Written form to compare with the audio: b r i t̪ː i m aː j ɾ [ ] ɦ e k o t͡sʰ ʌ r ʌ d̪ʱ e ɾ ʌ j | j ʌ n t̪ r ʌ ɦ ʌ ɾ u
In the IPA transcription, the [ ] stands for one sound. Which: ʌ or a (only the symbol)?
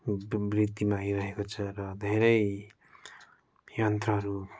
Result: ʌ